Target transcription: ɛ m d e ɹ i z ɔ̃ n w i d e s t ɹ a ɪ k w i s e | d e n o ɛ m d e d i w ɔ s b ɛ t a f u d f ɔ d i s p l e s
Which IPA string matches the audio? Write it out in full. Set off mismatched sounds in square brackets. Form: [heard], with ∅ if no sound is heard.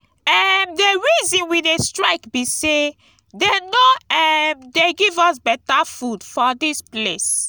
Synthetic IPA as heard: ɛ m d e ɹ i z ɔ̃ n w i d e s t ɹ a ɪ k [b] i s e | d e n o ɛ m d e [ɡ] i [v] ɔ s b ɛ t a f u d f ɔ d i s p l e s